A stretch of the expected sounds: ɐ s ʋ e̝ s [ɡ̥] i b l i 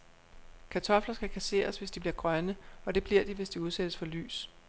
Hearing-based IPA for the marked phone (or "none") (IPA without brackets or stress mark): d̥